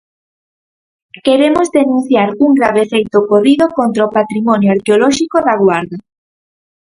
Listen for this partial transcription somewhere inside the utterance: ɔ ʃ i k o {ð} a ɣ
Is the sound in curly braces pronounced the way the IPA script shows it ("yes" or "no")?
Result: yes